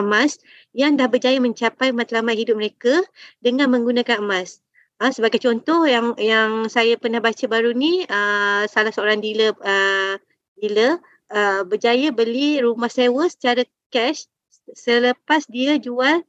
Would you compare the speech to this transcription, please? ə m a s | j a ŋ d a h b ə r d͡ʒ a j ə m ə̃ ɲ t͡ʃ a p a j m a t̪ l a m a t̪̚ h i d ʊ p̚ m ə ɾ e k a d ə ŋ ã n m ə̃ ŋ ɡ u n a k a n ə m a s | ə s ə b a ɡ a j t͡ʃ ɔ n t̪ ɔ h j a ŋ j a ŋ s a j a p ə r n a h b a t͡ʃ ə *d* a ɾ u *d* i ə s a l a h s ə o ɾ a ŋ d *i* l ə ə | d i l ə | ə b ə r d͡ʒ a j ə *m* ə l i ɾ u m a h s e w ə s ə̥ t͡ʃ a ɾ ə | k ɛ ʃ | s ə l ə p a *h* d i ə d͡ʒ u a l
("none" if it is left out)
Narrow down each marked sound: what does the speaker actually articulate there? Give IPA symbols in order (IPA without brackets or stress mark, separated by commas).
b, n, i, b, s